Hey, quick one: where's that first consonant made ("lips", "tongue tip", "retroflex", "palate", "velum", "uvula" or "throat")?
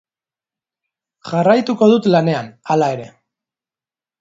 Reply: palate